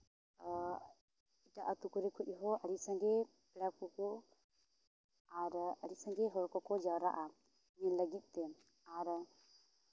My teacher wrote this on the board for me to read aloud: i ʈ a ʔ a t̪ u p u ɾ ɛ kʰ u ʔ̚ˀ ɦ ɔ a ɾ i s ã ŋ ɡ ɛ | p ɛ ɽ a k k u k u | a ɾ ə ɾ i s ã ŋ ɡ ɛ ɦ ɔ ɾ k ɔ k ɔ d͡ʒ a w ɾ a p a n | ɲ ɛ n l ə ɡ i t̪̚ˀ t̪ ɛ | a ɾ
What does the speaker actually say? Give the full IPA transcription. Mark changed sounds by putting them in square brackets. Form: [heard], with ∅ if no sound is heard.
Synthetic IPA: i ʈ a ʔ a t̪ u [k] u ɾ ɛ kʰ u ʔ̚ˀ ɦ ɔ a ɾ i s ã ŋ ɡ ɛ | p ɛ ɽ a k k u k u | a ɾ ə ɾ i s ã ŋ ɡ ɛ ɦ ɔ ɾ k ɔ k ɔ d͡ʒ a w ɾ a [ʔ] a [∅] | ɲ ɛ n l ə ɡ i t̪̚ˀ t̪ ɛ | a ɾ